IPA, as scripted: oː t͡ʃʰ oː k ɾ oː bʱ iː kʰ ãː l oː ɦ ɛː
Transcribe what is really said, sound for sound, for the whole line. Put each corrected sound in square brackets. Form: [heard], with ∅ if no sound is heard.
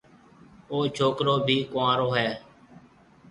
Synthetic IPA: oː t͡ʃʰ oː k ɾ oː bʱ iː [k] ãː [ɾ] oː ɦ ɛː

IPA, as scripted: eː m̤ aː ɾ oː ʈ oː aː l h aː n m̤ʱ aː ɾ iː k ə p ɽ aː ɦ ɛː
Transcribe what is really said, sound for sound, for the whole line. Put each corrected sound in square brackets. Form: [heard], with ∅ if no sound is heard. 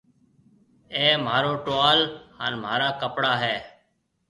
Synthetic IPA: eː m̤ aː ɾ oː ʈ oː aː l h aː n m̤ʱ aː ɾ [aː] k ə p ɽ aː ɦ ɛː

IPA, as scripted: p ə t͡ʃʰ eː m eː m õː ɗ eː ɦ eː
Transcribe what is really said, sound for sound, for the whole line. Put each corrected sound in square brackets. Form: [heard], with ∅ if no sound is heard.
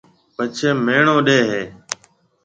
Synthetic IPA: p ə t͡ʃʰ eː m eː [ɳ] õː ɗ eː ɦ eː

